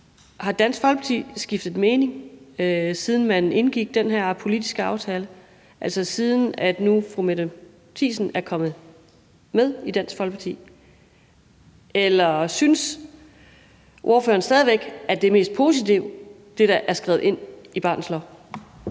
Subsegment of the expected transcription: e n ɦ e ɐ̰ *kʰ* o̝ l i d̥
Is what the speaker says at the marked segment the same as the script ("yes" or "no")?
no